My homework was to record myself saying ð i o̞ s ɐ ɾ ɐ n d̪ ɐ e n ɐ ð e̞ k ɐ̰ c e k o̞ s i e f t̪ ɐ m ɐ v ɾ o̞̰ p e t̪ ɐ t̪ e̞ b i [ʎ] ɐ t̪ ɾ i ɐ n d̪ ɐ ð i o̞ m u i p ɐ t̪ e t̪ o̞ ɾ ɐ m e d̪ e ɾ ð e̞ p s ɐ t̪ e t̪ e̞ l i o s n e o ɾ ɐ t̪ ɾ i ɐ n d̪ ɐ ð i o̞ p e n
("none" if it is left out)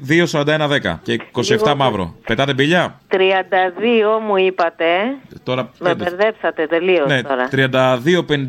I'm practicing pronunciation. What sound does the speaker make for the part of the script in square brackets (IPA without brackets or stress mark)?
ʎ